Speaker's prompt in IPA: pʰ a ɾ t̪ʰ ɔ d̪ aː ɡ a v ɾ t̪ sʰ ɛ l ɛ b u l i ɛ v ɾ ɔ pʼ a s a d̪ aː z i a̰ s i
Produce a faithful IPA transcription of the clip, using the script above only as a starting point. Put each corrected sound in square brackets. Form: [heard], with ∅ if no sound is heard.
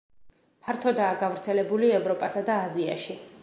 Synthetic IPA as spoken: pʰ a ɾ t̪ʰ ɔ d̪ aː ɡ a v ɾ t̪ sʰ ɛ l ɛ b u l i ɛ v ɾ ɔ pʼ a s a d̪ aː z i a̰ [ʃ] i